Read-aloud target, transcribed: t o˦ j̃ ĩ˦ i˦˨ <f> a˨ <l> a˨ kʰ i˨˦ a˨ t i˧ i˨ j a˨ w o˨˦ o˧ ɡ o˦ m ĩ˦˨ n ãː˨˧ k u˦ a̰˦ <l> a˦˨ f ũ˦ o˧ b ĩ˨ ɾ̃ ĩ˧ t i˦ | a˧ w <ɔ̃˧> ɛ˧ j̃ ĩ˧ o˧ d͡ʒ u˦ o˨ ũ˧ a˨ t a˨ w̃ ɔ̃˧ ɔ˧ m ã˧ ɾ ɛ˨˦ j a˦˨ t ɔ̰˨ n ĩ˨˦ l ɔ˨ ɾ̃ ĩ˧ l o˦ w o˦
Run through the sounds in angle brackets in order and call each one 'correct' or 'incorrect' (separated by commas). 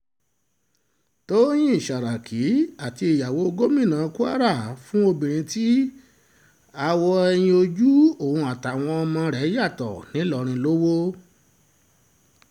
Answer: incorrect, incorrect, incorrect, incorrect